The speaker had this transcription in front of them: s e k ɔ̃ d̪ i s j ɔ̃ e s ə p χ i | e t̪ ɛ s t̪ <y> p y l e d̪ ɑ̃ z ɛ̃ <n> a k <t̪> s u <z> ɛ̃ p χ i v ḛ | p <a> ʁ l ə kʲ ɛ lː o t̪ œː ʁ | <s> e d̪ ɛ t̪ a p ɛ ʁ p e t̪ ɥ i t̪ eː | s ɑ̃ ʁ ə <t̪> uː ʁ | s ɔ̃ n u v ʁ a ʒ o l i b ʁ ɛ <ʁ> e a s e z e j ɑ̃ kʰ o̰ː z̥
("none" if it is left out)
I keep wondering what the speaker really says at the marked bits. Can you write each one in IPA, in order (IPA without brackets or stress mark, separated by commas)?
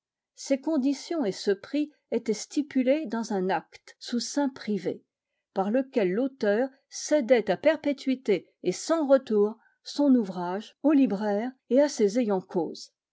i, n, t̪, s, a, s, t̪, ʁ